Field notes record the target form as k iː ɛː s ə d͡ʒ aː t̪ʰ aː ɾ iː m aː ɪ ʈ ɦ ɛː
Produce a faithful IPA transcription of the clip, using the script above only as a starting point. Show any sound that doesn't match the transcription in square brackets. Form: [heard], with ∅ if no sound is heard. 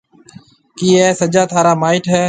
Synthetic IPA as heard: k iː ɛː s ə d͡ʒ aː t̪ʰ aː ɾ [aː] m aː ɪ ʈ ɦ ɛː